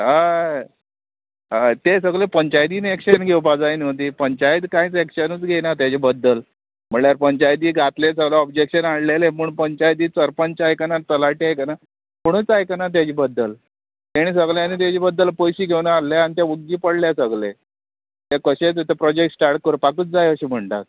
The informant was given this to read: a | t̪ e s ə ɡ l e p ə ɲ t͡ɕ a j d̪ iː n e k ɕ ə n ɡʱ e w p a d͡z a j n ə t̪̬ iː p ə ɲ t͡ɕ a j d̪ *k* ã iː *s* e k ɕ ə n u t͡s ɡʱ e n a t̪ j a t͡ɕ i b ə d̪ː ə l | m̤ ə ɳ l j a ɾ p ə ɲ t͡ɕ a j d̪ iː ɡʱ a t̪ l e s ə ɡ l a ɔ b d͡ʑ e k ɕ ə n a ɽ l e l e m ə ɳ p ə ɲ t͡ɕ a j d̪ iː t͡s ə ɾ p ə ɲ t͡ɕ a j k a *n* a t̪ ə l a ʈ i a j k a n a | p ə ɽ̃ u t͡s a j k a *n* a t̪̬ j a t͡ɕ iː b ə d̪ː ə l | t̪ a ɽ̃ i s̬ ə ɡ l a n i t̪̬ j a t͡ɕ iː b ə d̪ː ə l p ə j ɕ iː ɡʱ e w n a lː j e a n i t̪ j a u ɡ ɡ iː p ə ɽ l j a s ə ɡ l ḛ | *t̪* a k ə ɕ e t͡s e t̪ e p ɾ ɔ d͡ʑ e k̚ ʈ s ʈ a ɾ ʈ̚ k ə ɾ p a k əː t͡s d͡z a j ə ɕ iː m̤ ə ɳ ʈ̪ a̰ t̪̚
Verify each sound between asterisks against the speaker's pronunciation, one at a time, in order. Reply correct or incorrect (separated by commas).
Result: correct, incorrect, correct, correct, correct